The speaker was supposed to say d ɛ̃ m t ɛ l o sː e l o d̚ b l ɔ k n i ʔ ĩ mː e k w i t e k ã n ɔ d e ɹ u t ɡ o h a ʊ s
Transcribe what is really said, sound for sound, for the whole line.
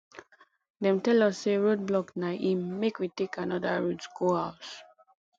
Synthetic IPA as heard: d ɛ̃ m t ɛ l ɔ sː e ɹ o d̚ b l ɔ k n a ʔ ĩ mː e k w i t e k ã n ɔ d a ɹ u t ɡ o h a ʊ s